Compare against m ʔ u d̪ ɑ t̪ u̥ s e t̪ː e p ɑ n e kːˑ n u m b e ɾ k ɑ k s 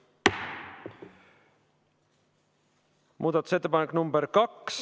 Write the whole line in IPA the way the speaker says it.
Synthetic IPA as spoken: m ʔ uː d̪ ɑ t̪ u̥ s e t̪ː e p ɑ n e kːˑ n u m b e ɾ k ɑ k s